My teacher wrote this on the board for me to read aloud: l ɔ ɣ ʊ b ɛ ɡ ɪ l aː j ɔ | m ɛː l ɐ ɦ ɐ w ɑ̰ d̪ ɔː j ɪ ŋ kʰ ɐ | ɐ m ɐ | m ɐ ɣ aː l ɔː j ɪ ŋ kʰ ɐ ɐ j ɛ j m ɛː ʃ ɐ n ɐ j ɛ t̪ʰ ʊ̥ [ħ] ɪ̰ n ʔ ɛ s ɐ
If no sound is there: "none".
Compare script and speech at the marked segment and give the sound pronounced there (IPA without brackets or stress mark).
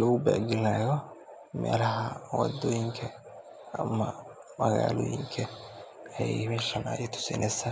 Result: s